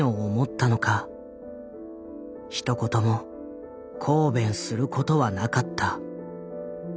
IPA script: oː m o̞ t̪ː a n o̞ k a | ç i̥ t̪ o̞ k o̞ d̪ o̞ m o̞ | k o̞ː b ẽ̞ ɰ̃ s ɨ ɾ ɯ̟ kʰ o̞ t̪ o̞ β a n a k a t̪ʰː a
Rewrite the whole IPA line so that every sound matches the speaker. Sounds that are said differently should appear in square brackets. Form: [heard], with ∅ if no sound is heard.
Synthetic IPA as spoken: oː m o̞ t̪ː a n o̞ k a | ç i̥ t̪ o̞ k o̞ [t̪] o̞ m o̞ | [kʰ] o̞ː b ẽ̞ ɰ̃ s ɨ ɾ ɯ̟ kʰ o̞ t̪ o̞ β a n a k a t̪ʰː a